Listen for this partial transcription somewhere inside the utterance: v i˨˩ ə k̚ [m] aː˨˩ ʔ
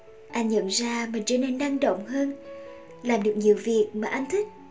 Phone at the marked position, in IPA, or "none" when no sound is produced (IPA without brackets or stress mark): m